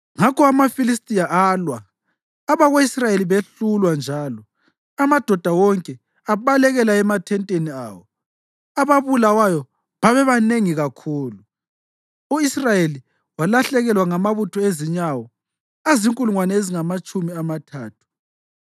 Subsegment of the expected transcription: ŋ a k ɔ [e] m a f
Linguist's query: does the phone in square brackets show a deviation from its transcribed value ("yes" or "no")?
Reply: yes